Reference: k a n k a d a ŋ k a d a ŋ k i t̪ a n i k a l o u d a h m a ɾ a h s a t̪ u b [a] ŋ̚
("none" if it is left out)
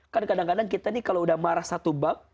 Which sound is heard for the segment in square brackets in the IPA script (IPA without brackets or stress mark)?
a